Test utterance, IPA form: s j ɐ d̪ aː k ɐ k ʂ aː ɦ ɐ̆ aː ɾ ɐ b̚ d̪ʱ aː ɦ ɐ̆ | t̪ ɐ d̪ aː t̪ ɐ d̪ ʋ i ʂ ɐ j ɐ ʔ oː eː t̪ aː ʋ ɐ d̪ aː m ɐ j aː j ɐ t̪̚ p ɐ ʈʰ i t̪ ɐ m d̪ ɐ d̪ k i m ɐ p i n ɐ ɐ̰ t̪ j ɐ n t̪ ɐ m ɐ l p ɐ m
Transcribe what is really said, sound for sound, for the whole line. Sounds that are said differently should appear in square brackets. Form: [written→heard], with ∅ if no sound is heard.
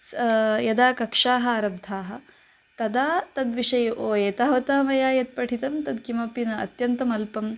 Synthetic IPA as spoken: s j ɐ d̪ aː k ɐ k ʂ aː ɦ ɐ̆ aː ɾ ɐ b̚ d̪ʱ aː ɦ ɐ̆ | t̪ ɐ d̪ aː t̪ ɐ d̪ ʋ i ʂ ɐ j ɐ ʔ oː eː t̪ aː ʋ ɐ [d̪→t̪] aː m ɐ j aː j ɐ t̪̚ p ɐ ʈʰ i t̪ ɐ m [d̪→t̪] ɐ d̪ k i m ɐ p i n ɐ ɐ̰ t̪ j ɐ n t̪ ɐ m ɐ l p ɐ m